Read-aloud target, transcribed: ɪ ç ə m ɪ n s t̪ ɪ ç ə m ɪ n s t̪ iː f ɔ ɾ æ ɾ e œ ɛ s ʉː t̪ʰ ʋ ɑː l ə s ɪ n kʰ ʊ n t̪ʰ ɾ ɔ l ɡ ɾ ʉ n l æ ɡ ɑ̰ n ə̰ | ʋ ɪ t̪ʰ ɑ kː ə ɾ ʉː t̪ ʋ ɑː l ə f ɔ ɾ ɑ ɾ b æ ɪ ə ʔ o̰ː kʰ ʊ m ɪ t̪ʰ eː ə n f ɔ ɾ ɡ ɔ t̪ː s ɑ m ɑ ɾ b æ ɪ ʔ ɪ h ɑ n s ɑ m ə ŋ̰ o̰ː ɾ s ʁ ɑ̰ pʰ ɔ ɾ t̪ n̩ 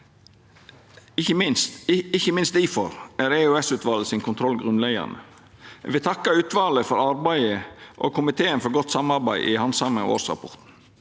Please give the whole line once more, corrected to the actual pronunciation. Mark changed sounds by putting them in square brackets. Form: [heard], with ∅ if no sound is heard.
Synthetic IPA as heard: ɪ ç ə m ɪ n s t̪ ɪ ç ə m ɪ n s t̪ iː f ɔ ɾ æ ɾ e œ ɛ s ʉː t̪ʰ ʋ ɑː l ə s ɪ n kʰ ʊ n t̪ʰ ɾ ɔ l ɡ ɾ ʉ n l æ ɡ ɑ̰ n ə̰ | ʋ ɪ t̪ʰ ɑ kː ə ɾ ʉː t̪ ʋ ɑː l ə f ɔ ɾ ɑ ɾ b æ ɪ ə ʔ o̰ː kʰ ʊ m ɪ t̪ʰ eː ə n f ɔ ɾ ɡ ɔ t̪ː s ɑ m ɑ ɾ b æ ɪ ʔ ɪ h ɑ n s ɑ m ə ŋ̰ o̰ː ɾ s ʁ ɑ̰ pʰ ɔ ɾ t̪ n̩